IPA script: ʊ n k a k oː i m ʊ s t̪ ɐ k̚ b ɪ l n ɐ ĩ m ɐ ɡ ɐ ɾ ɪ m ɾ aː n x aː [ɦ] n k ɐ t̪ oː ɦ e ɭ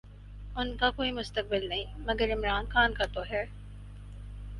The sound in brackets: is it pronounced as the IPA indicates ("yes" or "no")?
no